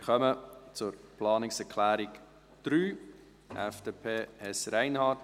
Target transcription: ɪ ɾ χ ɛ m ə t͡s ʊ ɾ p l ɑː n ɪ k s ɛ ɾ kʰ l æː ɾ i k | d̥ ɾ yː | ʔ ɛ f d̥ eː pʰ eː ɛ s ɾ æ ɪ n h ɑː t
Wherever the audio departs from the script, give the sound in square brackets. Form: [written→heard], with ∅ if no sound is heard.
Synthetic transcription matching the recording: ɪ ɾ χ [ɛ→œ] m ə t͡s ʊ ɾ p l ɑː n ɪ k s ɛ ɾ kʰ l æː ɾ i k | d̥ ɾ yː | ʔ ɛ f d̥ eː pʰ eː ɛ s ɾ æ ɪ n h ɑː t